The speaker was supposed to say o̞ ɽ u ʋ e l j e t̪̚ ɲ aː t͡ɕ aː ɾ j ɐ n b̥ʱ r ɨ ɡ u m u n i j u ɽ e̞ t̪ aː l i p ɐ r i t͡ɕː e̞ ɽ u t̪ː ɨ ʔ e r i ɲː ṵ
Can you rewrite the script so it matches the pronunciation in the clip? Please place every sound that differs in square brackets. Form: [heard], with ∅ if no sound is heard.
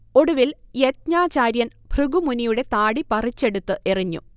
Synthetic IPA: o̞ ɽ u ʋ [i] l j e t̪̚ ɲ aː t͡ɕ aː ɾ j ɐ n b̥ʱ r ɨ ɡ u m u n i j u ɽ e̞ t̪ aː [ɽ] i p ɐ r i t͡ɕː e̞ ɽ u t̪ː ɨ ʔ e r i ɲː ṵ